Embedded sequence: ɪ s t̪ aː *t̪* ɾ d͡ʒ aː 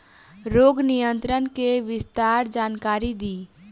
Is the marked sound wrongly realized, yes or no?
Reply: yes